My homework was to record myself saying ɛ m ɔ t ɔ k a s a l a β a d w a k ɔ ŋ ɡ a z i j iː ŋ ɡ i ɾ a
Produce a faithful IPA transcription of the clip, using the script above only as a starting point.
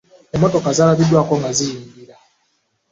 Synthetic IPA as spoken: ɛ m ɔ t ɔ k a z a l a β i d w a k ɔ ŋ ɡ a z i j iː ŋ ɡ i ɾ a